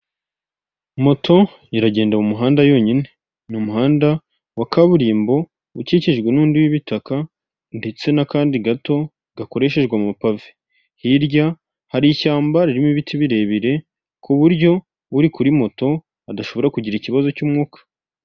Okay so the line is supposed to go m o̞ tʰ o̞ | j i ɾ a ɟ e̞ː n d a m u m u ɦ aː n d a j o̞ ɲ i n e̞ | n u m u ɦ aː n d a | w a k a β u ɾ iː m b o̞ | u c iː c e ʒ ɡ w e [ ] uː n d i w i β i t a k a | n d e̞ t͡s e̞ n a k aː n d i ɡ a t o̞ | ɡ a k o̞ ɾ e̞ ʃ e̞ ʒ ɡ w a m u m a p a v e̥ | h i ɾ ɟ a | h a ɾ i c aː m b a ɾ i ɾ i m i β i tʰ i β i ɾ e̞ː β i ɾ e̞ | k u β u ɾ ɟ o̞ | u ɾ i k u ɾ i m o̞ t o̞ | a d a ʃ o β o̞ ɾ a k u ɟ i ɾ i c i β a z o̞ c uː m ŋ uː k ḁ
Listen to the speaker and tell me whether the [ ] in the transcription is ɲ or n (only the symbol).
n